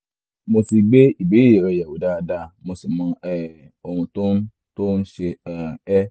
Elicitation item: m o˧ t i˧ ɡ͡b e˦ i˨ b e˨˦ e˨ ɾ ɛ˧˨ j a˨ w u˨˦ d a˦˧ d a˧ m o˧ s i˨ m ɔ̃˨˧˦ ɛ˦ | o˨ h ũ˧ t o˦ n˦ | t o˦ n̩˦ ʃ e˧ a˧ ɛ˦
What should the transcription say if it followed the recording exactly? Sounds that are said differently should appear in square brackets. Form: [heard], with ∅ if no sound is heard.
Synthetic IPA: m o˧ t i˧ ɡ͡b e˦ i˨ b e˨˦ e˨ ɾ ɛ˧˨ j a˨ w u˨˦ d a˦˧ d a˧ m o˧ s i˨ m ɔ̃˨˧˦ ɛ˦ | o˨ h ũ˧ t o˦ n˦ | t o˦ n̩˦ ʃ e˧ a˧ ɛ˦

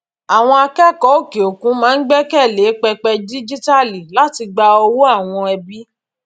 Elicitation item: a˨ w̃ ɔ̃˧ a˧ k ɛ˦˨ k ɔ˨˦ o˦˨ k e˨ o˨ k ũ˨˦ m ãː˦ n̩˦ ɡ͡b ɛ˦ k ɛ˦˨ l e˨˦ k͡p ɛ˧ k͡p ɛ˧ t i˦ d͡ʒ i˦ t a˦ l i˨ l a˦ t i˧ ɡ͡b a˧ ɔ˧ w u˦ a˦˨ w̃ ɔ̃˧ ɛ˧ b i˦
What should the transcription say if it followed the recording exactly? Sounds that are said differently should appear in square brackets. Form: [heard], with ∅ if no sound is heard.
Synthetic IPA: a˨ w̃ ɔ̃˧ a˧ k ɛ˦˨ k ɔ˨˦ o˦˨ k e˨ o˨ k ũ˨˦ m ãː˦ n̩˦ ɡ͡b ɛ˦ k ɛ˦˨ l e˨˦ k͡p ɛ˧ k͡p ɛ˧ [d] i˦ d͡ʒ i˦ t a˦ l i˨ l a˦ t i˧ ɡ͡b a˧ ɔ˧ w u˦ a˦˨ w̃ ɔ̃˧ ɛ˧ b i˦

